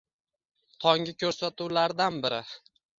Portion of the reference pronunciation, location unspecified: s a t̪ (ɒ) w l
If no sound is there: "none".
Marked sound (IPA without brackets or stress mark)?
u